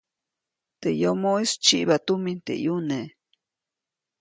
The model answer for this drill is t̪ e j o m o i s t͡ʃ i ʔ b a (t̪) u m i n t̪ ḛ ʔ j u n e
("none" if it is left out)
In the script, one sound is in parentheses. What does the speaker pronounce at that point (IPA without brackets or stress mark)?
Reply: t̪